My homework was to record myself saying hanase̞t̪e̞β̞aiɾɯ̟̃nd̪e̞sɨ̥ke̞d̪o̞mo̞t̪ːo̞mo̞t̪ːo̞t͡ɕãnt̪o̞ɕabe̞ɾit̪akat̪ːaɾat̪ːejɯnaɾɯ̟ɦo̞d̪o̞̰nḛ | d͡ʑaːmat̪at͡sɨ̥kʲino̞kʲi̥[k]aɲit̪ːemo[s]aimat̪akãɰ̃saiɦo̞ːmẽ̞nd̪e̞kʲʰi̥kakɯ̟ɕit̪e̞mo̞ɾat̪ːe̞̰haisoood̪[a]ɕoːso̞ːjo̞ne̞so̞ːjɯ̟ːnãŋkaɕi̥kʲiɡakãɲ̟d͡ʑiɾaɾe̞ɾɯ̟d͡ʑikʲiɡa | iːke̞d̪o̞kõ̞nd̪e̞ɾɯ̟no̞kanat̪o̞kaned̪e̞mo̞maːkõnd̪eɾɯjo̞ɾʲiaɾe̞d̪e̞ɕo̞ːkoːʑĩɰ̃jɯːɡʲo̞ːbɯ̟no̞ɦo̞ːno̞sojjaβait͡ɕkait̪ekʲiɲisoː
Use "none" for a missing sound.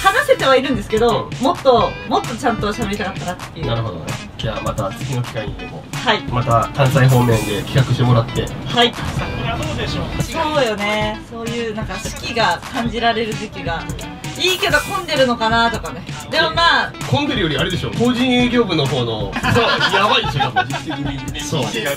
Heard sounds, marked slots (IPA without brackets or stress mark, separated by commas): k, h, e